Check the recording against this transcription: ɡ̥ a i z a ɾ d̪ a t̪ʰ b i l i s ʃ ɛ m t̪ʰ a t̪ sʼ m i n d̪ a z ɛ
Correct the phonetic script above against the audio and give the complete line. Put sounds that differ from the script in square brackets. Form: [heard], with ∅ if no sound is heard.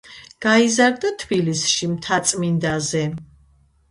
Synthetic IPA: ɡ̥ a i z a ɾ d̪ a t̪ʰ b i l i s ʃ [i] m t̪ʰ a t̪ sʼ m i n d̪ a z ɛ